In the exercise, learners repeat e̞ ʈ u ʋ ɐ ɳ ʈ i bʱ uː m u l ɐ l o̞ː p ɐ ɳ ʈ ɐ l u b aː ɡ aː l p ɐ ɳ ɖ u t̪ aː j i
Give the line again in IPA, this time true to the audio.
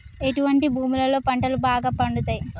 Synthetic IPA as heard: e̞ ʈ u ʋ ɐ ɳ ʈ i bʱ uː m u l ɐ l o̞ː p ɐ ɳ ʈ ɐ l u b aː ɡ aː p ɐ ɳ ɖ u t̪ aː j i